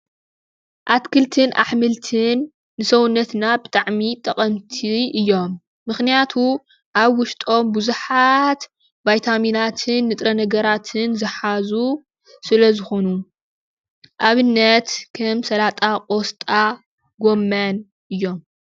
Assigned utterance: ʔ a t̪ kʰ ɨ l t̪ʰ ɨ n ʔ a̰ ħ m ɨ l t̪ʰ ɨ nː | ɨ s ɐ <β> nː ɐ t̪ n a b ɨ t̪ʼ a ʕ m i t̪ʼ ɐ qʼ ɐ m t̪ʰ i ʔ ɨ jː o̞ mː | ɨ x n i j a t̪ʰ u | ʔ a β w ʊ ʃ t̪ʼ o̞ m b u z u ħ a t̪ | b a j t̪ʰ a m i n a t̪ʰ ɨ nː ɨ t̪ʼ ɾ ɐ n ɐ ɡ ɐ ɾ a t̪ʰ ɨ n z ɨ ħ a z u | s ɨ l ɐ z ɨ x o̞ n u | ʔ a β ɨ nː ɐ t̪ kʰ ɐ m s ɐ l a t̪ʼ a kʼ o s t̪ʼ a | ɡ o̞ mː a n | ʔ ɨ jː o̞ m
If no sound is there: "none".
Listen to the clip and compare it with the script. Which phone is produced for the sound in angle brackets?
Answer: w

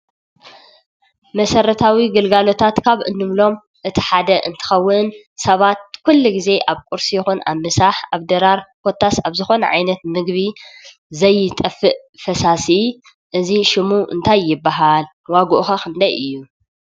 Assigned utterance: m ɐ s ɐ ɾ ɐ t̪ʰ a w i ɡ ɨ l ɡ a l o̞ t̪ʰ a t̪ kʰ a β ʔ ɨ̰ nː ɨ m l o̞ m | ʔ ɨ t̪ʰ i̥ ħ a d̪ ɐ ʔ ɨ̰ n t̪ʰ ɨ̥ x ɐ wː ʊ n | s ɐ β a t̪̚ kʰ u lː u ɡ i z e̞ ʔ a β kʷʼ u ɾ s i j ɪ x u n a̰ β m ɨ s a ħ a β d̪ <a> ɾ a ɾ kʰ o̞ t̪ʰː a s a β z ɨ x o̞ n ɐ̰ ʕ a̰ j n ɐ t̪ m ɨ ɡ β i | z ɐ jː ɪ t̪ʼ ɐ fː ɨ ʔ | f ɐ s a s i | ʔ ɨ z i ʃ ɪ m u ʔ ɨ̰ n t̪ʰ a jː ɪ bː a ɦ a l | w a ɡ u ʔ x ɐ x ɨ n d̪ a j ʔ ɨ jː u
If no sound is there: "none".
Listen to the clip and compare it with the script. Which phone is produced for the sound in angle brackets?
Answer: ɐ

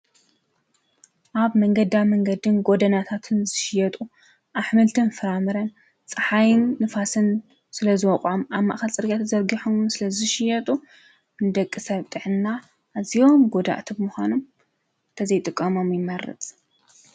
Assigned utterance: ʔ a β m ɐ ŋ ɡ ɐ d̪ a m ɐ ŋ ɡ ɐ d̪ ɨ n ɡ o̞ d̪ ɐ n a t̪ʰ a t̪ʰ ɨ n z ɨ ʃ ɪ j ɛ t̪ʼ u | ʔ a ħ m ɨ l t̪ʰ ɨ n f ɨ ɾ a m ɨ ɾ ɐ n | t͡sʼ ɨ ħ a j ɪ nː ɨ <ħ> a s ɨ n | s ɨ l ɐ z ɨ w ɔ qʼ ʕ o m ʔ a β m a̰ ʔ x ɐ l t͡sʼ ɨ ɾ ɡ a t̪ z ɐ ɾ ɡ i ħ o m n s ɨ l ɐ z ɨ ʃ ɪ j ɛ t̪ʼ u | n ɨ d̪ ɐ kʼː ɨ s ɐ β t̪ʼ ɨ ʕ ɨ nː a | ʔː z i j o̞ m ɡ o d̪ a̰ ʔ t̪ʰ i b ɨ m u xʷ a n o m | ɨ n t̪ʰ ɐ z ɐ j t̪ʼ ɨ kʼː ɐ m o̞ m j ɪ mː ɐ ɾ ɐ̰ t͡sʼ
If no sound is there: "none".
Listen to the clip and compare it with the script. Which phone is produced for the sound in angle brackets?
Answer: f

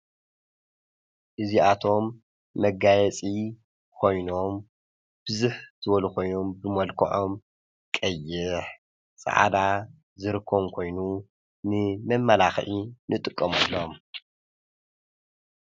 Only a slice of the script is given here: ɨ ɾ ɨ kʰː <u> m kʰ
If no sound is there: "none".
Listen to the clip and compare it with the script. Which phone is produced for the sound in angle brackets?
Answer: o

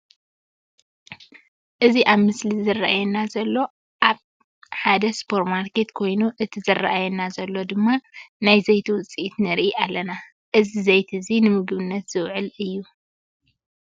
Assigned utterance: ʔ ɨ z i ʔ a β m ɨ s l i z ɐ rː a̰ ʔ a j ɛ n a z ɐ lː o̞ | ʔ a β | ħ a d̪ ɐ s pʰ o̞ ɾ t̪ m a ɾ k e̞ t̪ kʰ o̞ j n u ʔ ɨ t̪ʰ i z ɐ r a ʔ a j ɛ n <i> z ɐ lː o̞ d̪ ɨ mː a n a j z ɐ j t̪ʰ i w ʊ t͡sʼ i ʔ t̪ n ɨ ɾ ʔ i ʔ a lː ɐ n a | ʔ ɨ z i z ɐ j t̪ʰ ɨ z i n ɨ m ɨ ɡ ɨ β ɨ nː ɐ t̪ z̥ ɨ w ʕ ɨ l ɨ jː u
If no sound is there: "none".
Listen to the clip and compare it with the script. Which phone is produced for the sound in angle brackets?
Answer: a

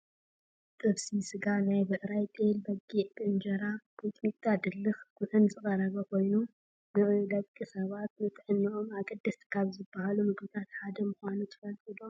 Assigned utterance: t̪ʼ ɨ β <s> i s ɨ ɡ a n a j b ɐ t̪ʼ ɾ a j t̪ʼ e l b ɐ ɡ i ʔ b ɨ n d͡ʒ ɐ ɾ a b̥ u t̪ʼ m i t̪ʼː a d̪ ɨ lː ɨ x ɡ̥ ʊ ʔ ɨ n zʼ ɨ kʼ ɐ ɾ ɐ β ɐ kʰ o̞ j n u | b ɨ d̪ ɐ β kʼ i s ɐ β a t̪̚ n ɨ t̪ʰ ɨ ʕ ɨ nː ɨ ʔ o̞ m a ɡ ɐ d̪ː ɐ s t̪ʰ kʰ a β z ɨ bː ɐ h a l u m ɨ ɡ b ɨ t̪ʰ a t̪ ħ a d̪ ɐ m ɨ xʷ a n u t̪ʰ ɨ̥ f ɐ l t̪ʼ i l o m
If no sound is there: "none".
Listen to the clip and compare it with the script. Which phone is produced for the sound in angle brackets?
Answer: s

